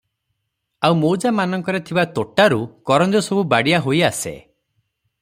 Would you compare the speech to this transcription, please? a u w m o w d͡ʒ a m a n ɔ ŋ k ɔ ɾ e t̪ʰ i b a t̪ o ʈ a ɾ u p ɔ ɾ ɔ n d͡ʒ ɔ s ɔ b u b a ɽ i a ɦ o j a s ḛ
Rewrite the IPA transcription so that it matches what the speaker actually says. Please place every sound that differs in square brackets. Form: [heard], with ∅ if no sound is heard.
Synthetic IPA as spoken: a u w m o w d͡ʒ a m a n ɔ ŋ k ɔ ɾ e t̪ʰ i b a t̪ o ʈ a ɾ u [k] ɔ ɾ ɔ n d͡ʒ ɔ s ɔ b u b a ɽ i a ɦ o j a s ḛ